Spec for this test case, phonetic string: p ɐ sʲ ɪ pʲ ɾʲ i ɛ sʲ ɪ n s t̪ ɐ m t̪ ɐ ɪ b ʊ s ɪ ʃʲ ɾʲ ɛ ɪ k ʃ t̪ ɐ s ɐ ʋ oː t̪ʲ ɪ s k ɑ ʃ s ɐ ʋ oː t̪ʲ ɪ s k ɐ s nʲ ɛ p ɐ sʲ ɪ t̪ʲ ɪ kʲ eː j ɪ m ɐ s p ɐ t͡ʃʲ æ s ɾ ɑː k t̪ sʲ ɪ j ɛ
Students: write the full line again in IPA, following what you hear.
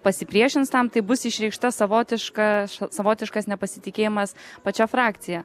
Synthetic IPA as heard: p ɐ sʲ ɪ pʲ ɾʲ i ɛ ʃʲ ɪ n s t̪ ɐ m t̪ ɐ ɪ b ʊ s ɪ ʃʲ ɾʲ ɛ ɪ k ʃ t̪ ɐ s ɐ ʋ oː t̪ʲ ɪ ʃ k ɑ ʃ s ɐ ʋ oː t̪ʲ ɪ ʃ k ɐ s nʲ ɛ p ɐ sʲ ɪ t̪ʲ ɪ kʲ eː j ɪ m ɐ s p ɐ t͡ʃʲ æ f ɾ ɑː k t̪ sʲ ɪ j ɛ